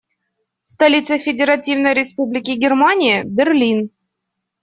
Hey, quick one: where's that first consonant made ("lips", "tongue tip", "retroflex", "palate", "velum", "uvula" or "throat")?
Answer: tongue tip